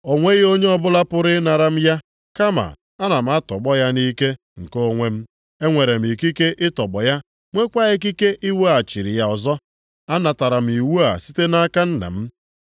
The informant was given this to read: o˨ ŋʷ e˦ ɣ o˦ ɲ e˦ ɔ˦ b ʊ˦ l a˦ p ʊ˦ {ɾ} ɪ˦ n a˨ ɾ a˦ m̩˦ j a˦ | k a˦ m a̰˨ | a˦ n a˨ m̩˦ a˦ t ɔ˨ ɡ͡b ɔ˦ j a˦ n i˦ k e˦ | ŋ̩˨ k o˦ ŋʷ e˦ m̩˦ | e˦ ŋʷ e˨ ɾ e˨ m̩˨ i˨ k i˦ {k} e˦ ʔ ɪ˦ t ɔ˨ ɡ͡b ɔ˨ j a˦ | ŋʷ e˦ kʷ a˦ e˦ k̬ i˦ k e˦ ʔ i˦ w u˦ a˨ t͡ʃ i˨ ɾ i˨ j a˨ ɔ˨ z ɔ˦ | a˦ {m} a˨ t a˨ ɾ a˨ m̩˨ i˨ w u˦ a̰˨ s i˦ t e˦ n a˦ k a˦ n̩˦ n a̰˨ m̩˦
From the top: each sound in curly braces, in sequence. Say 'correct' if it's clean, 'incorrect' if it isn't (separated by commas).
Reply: correct, correct, incorrect